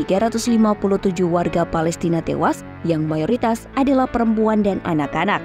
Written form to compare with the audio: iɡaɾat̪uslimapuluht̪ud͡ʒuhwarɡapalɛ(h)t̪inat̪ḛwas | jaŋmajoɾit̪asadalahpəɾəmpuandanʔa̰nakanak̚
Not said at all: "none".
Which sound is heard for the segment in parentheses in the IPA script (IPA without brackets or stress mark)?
s